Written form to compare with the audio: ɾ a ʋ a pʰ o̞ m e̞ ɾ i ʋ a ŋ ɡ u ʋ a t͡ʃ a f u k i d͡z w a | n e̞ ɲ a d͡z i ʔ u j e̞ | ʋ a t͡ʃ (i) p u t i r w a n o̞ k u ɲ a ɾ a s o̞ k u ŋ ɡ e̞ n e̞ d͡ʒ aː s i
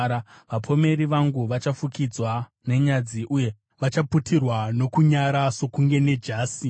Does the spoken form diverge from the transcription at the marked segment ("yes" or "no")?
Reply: yes